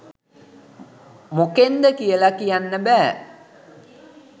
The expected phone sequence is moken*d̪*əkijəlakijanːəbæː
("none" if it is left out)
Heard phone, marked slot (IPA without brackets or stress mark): d̪